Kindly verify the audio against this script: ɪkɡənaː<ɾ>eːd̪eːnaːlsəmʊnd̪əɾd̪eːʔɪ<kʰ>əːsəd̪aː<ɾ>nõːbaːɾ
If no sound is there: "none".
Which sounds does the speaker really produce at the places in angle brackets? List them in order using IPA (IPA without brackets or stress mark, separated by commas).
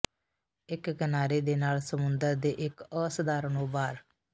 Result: ɾ, k, ɾ